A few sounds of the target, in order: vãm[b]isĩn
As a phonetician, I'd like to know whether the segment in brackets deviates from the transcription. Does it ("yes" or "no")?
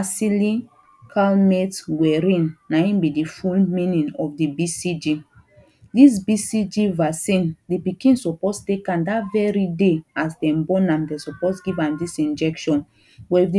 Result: yes